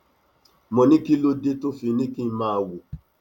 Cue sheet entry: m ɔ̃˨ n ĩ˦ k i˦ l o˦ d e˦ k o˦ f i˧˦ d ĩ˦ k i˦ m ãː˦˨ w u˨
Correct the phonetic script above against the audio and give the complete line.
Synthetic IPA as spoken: m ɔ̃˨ n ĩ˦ k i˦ l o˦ d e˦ t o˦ f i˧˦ n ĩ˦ k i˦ m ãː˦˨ w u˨